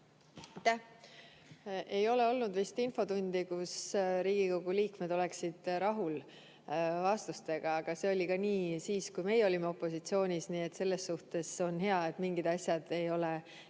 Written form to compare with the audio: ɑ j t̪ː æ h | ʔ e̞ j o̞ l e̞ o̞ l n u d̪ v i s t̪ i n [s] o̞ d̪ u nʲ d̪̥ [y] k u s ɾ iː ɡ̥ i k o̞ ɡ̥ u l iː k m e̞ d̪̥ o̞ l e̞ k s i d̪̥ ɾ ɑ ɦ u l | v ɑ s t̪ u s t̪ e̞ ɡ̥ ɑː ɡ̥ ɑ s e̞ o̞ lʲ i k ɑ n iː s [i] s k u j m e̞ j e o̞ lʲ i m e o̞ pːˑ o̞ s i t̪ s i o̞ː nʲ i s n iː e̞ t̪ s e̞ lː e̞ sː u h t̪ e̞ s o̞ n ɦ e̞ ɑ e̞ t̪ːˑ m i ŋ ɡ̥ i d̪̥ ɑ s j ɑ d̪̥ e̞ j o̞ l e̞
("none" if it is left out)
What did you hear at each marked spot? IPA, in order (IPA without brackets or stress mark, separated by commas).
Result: f, i, iː